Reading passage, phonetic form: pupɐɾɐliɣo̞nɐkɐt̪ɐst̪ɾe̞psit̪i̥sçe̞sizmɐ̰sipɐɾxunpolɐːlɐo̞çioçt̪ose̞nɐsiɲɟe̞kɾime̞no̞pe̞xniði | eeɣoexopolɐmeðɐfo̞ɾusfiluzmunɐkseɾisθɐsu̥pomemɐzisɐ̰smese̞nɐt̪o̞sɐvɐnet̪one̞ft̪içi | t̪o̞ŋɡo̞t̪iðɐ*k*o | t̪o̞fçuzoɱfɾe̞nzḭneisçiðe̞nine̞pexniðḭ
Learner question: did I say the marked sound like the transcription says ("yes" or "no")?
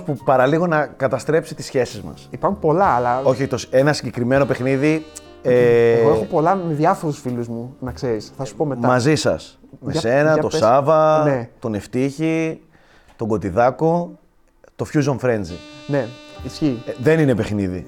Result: yes